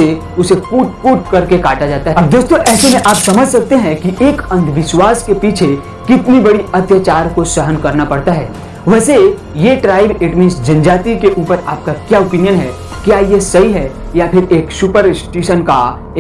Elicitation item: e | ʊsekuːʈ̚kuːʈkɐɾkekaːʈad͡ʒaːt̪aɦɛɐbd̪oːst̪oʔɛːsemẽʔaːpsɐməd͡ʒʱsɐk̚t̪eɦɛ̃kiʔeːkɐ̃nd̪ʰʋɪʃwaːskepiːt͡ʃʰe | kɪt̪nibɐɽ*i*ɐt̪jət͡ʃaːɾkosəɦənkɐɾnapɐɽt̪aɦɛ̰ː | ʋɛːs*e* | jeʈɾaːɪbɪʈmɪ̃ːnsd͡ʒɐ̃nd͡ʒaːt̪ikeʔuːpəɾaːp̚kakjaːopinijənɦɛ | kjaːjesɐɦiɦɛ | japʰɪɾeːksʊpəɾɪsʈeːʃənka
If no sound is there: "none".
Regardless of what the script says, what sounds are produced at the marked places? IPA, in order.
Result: i, e

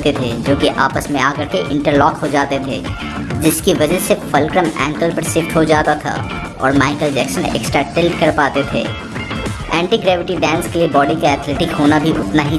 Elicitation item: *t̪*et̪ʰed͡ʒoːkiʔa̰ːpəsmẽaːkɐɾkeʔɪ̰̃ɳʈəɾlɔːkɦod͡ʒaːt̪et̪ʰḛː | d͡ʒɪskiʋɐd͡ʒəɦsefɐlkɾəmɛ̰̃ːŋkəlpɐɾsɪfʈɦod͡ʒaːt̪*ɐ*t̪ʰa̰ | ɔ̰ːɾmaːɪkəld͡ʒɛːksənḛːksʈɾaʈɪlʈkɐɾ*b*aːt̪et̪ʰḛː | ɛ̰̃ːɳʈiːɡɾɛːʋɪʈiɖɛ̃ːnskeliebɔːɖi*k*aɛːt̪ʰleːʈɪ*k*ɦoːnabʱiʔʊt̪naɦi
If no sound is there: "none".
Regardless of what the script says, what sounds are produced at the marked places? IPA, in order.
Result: t̪, a, p, k, k

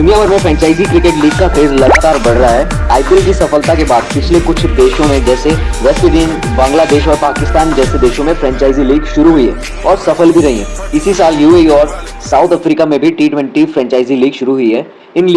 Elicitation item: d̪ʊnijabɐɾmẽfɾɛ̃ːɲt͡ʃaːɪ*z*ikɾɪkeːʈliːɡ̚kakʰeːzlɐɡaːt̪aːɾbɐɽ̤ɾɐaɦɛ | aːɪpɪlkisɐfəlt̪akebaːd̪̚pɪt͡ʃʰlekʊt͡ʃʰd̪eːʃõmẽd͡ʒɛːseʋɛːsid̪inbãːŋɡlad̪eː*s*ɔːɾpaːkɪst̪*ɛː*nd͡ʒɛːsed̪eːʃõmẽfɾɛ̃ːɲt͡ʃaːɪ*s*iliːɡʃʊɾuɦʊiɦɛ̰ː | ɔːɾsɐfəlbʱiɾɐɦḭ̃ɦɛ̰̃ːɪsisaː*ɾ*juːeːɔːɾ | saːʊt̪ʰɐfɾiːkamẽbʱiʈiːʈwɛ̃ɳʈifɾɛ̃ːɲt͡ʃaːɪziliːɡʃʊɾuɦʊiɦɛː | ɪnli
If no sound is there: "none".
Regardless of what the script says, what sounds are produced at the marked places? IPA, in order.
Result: z, ʃ, aː, z, l

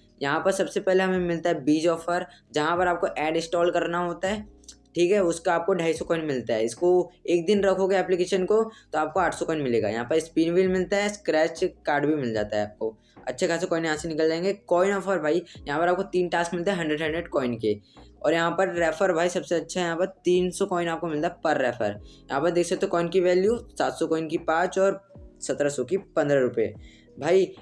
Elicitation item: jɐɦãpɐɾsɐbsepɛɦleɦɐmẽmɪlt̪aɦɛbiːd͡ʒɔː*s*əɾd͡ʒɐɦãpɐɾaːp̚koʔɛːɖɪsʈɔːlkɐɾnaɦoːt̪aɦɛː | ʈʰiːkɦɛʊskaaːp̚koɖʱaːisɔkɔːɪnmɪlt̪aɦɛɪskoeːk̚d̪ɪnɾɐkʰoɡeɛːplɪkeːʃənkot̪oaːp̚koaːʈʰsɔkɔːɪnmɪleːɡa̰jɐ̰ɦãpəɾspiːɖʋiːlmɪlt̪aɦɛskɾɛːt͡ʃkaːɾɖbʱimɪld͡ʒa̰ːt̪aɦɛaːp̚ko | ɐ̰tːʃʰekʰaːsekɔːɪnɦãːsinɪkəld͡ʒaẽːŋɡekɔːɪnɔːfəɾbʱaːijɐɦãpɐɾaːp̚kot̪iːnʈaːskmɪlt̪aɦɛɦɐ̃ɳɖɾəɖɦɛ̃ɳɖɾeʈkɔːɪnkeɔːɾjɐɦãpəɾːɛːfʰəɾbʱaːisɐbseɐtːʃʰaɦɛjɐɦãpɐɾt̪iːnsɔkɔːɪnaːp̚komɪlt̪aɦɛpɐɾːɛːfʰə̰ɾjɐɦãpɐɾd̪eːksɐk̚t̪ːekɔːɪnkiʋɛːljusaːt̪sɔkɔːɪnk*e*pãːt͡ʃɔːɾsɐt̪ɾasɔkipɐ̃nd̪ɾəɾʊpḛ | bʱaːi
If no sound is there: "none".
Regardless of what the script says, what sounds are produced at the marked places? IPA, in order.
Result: f, i

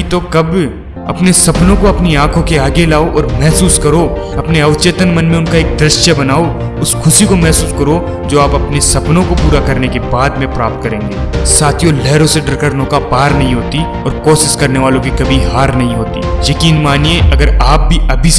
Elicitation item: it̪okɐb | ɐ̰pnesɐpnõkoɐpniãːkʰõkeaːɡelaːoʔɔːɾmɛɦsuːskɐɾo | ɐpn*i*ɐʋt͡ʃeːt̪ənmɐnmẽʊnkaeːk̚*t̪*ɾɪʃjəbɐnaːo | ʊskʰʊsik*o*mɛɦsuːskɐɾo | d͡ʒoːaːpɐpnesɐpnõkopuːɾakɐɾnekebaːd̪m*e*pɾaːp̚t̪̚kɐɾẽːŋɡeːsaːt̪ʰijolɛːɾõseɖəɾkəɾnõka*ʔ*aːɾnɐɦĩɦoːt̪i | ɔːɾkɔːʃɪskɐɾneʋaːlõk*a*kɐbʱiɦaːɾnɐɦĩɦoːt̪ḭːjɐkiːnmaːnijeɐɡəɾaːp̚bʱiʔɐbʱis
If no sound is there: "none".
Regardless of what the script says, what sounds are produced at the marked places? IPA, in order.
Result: e, d̪, o, ẽ, p, i

